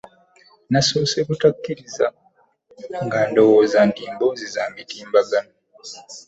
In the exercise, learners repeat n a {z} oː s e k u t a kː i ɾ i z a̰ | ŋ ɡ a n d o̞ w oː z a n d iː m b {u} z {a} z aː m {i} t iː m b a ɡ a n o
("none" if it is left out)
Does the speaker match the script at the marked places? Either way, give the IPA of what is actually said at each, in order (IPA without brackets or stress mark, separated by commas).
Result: s, o, i, i